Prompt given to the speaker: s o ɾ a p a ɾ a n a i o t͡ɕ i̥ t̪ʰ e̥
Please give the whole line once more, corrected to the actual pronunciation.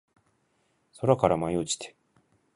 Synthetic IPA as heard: s o ɾ a k a ɾ a m a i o t͡ɕ i̥ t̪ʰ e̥